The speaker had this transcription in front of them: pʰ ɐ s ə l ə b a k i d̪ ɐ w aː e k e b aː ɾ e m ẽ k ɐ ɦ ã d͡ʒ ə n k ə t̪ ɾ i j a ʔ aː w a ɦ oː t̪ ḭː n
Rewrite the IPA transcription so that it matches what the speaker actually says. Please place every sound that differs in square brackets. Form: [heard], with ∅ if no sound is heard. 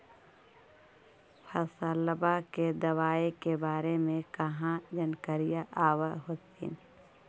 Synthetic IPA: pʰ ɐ s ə l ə b a k [e] d̪ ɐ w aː e k e b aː ɾ e m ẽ k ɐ ɦ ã d͡ʒ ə n k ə [∅] ɾ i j a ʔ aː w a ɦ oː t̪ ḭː n